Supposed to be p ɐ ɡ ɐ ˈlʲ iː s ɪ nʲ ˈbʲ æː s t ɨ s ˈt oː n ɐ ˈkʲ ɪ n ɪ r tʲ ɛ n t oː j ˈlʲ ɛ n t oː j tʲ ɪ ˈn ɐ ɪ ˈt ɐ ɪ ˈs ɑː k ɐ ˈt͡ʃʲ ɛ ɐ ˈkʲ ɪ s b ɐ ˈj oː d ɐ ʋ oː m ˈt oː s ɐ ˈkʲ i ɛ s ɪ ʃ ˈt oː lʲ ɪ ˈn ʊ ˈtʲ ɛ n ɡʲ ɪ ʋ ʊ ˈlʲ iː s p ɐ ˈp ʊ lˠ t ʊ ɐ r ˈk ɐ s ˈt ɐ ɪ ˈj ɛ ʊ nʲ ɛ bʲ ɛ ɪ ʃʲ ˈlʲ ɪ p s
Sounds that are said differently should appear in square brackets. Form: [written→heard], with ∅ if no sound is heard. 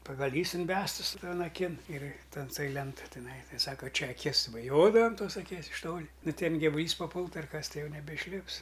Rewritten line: p ɐ ɡ ɐ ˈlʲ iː s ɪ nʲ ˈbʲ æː s t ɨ s ˈt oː n ɐ ˈkʲ ɪ n ɪ r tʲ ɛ n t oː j ˈlʲ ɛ n t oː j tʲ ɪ ˈn ɐ ɪ ˈt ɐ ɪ ˈs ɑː k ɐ ˈt͡ʃʲ ɛ ɐ ˈkʲ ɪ s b ɐ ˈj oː d ɐ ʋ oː m ˈt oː s ɐ ˈkʲ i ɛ s ɪ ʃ ˈt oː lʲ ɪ ˈn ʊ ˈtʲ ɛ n ɡʲ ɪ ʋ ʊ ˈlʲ iː s p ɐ ˈp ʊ lˠ t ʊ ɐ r ˈk ɐ s ˈt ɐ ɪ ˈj ɛ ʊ nʲ ɛ bʲ ɛ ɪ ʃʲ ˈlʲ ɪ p s